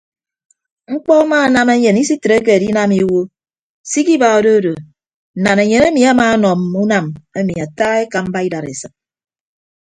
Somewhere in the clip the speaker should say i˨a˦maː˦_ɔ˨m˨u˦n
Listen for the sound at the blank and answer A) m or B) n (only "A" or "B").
B